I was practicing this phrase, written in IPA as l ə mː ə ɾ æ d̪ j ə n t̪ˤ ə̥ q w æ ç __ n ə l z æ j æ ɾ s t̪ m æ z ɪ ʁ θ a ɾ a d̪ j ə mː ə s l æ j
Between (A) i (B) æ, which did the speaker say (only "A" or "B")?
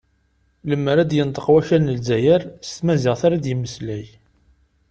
B